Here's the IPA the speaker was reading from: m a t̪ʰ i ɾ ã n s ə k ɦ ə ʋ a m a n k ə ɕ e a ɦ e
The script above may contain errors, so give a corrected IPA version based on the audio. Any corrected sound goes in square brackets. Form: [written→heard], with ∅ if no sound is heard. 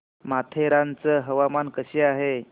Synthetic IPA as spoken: m a t̪ʰ [i→e] ɾ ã n [s→t͡s] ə [k→∅] ɦ ə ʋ a m a n k ə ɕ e a ɦ e

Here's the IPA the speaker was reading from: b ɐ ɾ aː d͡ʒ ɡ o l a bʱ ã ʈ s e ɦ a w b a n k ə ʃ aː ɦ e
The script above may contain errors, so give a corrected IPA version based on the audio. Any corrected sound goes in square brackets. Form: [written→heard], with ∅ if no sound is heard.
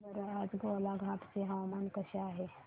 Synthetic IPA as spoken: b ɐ ɾ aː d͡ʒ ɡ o l a [bʱ→ɡʱ] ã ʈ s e ɦ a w [b→m] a n k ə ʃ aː ɦ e

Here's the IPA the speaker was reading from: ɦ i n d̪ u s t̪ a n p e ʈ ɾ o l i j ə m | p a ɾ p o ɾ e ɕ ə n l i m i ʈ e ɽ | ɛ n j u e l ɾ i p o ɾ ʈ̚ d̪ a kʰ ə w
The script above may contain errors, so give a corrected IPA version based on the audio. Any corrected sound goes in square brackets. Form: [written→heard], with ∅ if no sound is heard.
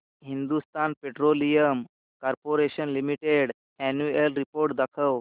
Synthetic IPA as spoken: ɦ i n d̪ u s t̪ a n p e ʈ ɾ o l i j ə m | [p→k] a ɾ p o ɾ e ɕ ə n l i m i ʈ e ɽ | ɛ n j u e l ɾ i p o ɾ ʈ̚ d̪ a kʰ ə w

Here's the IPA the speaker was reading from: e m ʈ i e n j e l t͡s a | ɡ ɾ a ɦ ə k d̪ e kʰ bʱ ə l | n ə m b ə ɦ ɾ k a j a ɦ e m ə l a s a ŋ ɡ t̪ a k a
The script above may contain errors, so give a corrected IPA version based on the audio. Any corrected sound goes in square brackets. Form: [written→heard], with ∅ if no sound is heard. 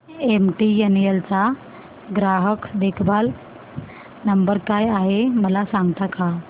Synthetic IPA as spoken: e m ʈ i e n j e l t͡s a | ɡ ɾ a ɦ ə k d̪ e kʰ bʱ [ə→a] l | n ə m b ə [ɦ→∅] ɾ k a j a ɦ e m ə l a s a ŋ ɡ t̪ a k a

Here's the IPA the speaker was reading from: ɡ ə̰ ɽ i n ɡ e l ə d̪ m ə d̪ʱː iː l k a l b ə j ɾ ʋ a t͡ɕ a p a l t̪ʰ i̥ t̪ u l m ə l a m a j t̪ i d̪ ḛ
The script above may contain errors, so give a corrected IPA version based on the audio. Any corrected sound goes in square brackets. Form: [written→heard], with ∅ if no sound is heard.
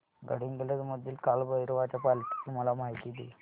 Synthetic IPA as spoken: ɡ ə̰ ɽ i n ɡ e l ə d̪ m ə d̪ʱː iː l k a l b ə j ɾ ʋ a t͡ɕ a p a l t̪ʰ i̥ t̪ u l m ə l a m a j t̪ i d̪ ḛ

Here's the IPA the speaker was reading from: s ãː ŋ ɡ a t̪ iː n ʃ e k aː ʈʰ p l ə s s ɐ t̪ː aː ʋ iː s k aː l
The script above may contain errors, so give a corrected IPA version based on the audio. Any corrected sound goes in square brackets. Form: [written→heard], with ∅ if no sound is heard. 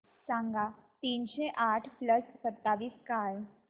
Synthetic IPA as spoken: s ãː ŋ ɡ a t̪ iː n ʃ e [k→ʔ] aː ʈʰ p l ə s s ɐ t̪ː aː ʋ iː s k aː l

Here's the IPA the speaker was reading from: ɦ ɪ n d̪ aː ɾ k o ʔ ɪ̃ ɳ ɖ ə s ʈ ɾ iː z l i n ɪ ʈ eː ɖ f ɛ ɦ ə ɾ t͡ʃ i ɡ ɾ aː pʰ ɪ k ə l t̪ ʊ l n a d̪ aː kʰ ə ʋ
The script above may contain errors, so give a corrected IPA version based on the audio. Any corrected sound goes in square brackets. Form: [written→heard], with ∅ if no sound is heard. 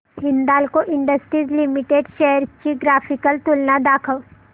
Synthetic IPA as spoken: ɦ ɪ n d̪ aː [ɾ→l] k o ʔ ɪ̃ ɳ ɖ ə s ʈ ɾ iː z l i [n→m] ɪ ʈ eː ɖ [f→ʃ] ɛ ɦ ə ɾ t͡ʃ i ɡ ɾ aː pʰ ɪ k ə l t̪ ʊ l n a d̪ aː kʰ ə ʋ

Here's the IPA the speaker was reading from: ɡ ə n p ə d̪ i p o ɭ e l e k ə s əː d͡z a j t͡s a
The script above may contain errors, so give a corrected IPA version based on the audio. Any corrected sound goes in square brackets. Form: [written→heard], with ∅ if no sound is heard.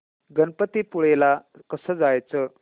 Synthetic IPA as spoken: ɡ ə n p ə [d̪→t̪] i p [o→u] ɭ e l [e→a] k ə s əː d͡z a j t͡s [a→ə]

